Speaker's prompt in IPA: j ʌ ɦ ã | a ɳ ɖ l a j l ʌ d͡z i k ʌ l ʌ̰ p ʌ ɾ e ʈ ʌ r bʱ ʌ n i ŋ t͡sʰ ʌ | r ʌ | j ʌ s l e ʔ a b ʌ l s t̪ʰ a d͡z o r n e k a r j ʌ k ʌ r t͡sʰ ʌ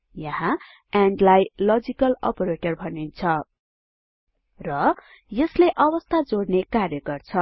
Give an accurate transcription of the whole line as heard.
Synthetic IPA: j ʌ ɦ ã | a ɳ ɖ l a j l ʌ d͡z i k ʌ l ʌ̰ p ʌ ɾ e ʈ ʌ r bʱ ʌ n i n t͡sʰ ʌ | r ʌ | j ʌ s l e ʔ ʌ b ʌ s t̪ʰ a d͡z o ɽ n e k a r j ʌ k ʌ r t͡sʰ ʌ